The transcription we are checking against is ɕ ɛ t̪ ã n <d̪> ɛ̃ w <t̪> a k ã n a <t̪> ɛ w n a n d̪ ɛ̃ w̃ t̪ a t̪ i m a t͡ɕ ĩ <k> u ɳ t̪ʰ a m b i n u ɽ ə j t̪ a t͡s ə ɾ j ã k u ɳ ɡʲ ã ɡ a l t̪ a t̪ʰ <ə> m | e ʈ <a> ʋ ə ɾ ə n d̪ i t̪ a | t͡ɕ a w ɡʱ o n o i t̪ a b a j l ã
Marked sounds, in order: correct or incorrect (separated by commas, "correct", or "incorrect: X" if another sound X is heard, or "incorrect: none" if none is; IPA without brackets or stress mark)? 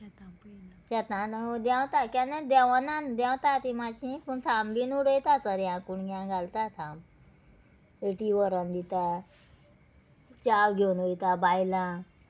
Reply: correct, correct, incorrect: d̪, incorrect: p, incorrect: a, incorrect: i